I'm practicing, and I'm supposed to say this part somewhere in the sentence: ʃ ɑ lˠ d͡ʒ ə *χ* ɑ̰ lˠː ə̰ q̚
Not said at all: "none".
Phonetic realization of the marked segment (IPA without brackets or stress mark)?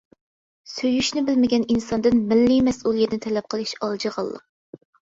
ʁ